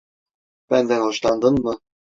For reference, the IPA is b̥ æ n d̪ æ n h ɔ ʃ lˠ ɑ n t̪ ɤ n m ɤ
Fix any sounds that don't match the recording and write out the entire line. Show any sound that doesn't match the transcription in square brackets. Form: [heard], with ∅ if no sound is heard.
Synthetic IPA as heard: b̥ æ n d̪ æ n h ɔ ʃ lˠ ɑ n [d̪] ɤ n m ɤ